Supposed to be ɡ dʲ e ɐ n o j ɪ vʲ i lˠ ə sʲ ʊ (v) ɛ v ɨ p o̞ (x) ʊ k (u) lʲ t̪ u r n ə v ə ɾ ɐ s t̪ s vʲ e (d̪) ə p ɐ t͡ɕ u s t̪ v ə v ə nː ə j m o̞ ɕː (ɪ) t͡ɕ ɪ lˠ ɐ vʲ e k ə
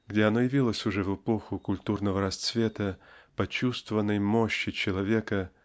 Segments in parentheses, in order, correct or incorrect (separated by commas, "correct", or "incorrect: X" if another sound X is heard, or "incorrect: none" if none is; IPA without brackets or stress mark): incorrect: ʐ, correct, incorrect: ʊ, incorrect: t̪, correct